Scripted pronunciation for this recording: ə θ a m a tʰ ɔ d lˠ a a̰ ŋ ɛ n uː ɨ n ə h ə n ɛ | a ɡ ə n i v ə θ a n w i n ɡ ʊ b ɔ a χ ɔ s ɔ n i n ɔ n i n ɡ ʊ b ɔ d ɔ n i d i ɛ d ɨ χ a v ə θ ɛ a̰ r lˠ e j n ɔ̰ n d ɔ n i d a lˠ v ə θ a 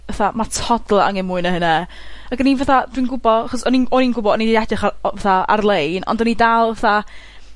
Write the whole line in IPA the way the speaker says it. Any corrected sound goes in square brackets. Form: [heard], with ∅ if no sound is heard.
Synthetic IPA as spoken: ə θ a m a tʰ ɔ d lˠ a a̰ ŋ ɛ [m] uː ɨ n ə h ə n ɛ | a ɡ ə n i v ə θ a [d] w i n ɡ ʊ b ɔ a χ ɔ s ɔ n i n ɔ n i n ɡ ʊ b ɔ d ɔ n i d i ɛ d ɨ χ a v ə θ [a] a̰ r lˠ e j n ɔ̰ n d ɔ n i d a lˠ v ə θ a